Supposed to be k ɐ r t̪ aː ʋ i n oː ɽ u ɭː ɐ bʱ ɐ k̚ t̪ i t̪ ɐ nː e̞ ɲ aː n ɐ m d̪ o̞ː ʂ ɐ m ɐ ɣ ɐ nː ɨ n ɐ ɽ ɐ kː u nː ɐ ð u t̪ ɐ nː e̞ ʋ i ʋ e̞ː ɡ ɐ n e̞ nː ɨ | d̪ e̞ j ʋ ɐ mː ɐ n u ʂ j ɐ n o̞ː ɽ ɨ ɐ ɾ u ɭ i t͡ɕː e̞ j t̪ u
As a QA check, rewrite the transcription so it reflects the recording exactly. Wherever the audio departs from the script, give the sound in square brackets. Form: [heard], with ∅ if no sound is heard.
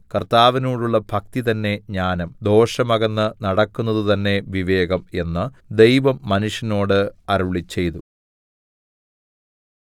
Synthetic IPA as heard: k ɐ r t̪ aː ʋ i n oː ɽ u ɭː ɐ bʱ ɐ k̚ t̪ i t̪ ɐ nː e̞ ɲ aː n ɐ m d̪ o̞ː ʂ ɐ m ɐ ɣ ɐ nː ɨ n ɐ ɽ ɐ kː u nː ɐ ð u t̪ ɐ nː e̞ ʋ i ʋ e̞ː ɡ ɐ [m] e̞ nː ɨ | d̪ e̞ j ʋ ɐ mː ɐ n u ʂ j ɐ n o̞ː ɽ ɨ ɐ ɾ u ɭ i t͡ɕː e̞ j t̪ u